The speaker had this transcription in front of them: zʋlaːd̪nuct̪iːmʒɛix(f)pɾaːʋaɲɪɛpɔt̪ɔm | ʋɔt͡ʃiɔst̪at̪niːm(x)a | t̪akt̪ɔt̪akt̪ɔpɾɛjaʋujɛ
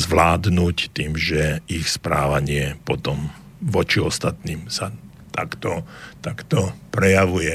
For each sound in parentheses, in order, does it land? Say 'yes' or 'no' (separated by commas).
no, no